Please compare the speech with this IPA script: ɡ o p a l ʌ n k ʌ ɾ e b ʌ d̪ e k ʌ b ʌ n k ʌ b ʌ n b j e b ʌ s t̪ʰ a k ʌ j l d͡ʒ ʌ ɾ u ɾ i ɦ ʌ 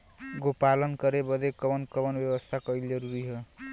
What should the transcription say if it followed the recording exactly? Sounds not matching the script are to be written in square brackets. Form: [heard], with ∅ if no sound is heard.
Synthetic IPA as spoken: ɡ o p a l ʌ n k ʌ ɾ e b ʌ d̪ e k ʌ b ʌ n k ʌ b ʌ n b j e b ʌ s t̪ʰ a k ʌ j l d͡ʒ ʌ ɾ u ɾ i ɦ ʌ

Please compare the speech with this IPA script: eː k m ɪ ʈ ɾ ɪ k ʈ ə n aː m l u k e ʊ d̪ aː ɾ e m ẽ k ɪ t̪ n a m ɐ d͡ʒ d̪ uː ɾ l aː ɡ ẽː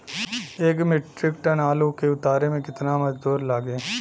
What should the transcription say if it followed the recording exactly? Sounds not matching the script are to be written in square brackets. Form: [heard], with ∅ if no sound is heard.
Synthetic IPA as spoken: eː k m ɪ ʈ ɾ ɪ k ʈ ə n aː [∅] l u k e ʊ [t̪] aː ɾ e m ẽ k ɪ t̪ n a m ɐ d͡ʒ d̪ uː ɾ l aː ɡ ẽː

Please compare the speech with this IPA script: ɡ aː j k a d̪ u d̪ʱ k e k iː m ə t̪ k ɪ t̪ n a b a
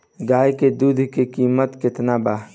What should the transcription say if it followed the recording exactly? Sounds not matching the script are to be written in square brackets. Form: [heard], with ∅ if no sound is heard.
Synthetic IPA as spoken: ɡ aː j k [e] d̪ u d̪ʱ k e k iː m ə t̪ k ɪ t̪ n a b a

